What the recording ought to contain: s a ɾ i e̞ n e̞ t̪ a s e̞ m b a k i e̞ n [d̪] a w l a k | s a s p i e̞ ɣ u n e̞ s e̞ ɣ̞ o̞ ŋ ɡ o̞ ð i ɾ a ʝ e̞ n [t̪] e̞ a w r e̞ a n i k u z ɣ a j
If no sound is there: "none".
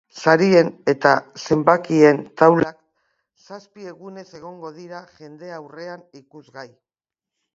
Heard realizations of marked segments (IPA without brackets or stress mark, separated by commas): t̪, d̪